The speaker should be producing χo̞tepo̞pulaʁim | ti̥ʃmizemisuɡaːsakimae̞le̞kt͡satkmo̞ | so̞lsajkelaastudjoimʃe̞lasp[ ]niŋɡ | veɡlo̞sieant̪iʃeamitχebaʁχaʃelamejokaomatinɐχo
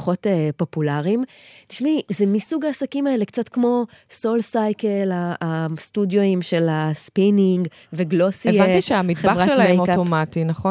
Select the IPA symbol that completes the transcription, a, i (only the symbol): i